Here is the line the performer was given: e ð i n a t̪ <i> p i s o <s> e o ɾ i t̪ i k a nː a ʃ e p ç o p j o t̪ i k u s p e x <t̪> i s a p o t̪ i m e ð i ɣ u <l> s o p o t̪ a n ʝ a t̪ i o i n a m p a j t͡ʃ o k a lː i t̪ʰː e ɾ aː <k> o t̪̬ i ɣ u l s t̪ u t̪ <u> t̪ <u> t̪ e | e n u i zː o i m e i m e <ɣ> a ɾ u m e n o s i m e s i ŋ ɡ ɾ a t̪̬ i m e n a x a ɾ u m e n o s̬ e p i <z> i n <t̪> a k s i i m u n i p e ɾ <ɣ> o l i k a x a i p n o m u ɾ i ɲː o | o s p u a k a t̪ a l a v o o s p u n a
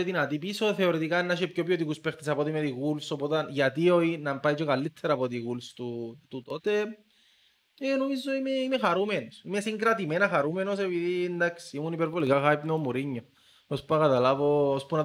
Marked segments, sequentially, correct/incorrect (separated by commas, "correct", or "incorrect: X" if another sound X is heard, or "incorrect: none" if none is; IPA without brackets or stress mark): correct, incorrect: θ, correct, correct, incorrect: p, correct, incorrect: o, incorrect: x, incorrect: ð, incorrect: d̪, incorrect: v